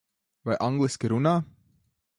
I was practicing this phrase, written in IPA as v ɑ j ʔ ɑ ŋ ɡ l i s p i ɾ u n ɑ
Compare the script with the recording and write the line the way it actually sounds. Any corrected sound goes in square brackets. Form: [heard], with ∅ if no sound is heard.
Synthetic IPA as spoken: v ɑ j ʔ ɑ ŋ ɡ l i s [k] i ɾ u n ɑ

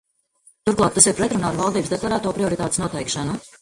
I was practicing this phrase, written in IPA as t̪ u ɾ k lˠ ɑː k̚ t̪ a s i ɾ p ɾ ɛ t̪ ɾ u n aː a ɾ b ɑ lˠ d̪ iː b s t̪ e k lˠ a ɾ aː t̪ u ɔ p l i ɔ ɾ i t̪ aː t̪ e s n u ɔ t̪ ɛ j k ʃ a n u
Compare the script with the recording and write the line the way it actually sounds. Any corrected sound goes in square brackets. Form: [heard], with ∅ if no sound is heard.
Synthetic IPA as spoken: t̪ u ɾ k lˠ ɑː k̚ t̪ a s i ɾ p ɾ ɛ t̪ ɾ u n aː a ɾ [v] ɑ lˠ d̪ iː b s [d̪] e k lˠ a ɾ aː t̪ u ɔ p [ɾ] i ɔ ɾ i t̪ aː t̪ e s n u ɔ t̪ ɛ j k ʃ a n u

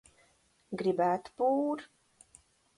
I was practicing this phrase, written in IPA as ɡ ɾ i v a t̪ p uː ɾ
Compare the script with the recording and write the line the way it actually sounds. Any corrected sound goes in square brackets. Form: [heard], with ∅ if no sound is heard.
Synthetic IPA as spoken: ɡ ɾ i [b] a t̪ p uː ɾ

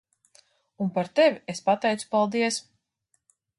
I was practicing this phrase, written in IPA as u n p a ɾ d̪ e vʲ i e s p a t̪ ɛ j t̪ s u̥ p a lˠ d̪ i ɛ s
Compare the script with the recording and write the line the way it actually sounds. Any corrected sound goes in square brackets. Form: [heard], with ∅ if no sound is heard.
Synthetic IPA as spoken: u n p a ɾ [t̪] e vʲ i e s p a t̪ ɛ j t̪ s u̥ p a lˠ d̪ i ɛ s

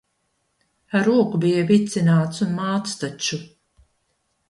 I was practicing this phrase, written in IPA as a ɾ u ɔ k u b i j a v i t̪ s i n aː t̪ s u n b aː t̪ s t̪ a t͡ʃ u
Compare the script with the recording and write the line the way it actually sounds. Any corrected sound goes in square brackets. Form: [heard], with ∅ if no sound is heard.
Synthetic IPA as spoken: a ɾ u ɔ k u b i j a v i t̪ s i n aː t̪ s u n [m] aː t̪ s t̪ a t͡ʃ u

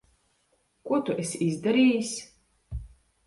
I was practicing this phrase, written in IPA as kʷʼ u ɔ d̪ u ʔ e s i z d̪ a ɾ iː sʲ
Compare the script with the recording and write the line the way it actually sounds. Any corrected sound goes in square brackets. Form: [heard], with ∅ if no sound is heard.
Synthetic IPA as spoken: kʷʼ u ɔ [t̪] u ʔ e s i z d̪ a ɾ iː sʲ

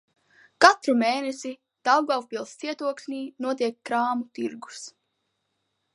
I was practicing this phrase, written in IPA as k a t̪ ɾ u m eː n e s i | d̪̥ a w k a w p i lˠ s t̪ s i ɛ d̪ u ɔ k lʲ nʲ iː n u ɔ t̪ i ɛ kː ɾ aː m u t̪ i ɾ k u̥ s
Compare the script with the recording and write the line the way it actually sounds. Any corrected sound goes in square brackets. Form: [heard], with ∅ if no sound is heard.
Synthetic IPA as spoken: k a t̪ ɾ u m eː n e s i | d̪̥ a w [ɡ] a w p i lˠ s t̪ s i ɛ [t̪] u ɔ k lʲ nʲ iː n u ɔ t̪ i ɛ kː ɾ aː m u t̪ i ɾ [ɡ] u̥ s

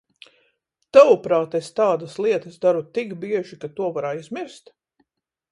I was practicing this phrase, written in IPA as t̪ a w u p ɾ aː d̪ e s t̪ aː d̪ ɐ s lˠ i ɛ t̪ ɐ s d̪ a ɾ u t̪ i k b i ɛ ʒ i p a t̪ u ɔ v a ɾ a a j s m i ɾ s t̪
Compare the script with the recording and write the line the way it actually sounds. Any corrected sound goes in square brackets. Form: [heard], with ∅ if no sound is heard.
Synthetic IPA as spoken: t̪ a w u p ɾ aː [t̪] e s t̪ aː d̪ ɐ s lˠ i ɛ t̪ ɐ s d̪ a ɾ u t̪ i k b i ɛ ʒ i [k] a t̪ u ɔ v a ɾ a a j [z] m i ɾ s t̪

